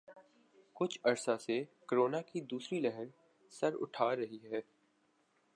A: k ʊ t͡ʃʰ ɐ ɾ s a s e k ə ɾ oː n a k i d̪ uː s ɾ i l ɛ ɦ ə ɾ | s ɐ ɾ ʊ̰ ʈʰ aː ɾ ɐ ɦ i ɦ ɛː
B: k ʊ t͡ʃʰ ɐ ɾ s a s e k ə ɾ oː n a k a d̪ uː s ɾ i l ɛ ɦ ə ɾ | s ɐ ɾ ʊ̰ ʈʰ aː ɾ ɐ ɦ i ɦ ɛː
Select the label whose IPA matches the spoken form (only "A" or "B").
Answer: A